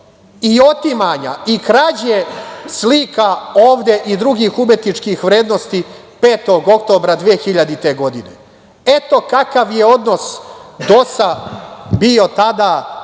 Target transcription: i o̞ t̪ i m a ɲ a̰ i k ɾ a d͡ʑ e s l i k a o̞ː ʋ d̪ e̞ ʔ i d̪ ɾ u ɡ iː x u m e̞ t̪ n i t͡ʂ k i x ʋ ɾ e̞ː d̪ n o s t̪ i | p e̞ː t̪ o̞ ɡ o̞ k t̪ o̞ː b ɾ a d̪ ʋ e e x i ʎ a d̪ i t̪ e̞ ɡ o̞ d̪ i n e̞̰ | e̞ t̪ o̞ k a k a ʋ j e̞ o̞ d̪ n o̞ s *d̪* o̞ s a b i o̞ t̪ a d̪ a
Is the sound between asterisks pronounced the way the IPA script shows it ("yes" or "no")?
yes